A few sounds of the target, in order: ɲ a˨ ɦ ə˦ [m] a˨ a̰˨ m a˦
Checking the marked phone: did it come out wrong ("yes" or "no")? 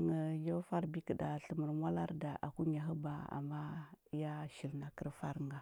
yes